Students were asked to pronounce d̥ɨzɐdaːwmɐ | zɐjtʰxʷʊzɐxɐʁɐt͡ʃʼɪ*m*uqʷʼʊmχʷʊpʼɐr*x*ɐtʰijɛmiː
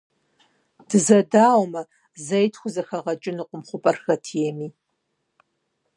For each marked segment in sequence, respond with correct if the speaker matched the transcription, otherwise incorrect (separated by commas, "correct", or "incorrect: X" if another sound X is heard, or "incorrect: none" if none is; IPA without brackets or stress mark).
incorrect: n, correct